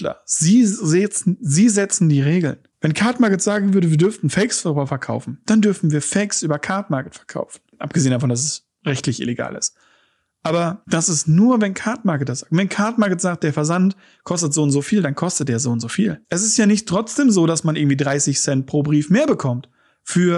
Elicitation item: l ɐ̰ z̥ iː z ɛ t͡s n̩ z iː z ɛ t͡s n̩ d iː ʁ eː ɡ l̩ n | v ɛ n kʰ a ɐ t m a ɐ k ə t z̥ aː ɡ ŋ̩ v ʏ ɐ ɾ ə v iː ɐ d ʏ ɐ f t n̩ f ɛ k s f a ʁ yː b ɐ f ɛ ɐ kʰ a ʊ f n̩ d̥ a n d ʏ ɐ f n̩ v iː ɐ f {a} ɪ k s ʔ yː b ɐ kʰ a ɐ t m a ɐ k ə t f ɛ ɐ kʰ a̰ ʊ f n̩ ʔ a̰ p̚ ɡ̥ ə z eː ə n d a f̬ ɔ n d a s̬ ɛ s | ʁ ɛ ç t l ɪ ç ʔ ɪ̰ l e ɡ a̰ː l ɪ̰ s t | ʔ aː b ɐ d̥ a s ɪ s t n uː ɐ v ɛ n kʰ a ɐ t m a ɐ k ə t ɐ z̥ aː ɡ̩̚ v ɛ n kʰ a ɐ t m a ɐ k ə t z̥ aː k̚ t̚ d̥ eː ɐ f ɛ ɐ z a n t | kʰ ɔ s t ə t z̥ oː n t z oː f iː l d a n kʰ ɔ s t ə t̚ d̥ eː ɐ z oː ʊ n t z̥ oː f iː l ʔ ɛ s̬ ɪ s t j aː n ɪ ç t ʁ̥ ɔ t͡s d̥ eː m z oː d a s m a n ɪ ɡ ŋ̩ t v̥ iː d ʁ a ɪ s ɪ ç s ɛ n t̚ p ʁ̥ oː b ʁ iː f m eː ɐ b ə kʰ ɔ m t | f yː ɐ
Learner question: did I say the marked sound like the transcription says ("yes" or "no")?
no